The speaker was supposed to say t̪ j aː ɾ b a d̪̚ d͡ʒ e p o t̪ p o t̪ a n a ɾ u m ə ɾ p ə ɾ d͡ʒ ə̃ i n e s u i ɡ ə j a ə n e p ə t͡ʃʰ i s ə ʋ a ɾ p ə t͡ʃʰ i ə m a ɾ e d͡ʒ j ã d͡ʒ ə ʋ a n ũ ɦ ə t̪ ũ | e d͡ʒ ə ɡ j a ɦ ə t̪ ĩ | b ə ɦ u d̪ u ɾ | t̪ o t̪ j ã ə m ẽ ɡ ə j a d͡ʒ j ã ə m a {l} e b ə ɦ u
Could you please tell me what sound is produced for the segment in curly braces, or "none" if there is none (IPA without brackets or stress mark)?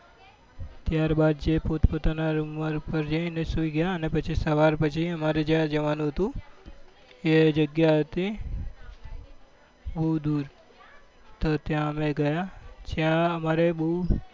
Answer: ɾ